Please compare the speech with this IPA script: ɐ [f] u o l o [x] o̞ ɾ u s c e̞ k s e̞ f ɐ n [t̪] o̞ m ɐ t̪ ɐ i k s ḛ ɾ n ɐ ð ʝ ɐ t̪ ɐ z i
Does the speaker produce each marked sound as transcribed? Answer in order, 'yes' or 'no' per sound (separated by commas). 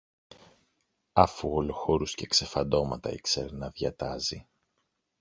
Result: yes, yes, no